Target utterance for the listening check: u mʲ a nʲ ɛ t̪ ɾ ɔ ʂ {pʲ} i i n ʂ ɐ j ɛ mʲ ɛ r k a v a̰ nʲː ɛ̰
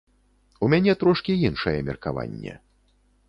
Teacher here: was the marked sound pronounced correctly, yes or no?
no